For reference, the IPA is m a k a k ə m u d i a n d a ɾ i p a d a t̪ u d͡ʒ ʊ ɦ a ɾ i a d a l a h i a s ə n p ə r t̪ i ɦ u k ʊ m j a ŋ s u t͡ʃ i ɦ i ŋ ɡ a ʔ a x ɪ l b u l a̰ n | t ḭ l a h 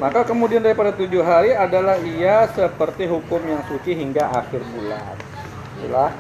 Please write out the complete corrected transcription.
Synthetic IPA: m a k a k ə m u d i a n d a ɾ i p a d a t̪ u d͡ʒ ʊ ɦ a ɾ i a d a l a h i a s ə p ə r t̪ i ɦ u k ʊ m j a ŋ s u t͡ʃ i ɦ i ŋ ɡ a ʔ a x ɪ r b u l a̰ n | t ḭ l a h